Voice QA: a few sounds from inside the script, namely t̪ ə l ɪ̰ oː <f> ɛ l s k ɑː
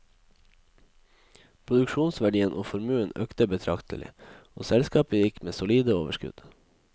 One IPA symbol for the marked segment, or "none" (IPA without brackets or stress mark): s